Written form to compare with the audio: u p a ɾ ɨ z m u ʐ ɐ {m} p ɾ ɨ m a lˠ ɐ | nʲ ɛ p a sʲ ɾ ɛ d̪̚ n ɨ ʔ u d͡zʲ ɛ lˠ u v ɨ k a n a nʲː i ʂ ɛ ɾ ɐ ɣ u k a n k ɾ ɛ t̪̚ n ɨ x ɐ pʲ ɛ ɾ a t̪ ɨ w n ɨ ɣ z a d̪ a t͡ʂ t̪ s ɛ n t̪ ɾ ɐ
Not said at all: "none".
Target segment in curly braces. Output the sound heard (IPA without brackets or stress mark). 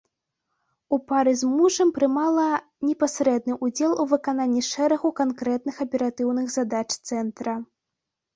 m